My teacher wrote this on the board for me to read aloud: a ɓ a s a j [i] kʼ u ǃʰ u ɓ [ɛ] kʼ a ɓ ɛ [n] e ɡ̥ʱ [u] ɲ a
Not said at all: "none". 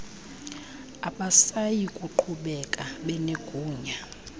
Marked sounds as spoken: i, ɛ, n, uː

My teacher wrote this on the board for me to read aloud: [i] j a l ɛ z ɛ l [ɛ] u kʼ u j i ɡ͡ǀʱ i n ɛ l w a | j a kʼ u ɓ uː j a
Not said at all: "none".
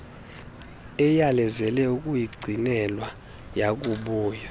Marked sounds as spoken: ɛ, ɛ

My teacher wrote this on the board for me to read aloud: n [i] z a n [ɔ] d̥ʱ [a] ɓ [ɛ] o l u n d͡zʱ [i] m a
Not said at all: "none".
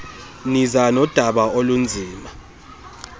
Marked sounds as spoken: i, ɔ, a, a, iː

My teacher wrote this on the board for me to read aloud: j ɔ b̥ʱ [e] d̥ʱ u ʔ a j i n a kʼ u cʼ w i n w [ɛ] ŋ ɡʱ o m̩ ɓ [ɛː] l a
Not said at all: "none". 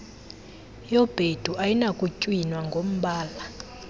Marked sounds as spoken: e, a, aː

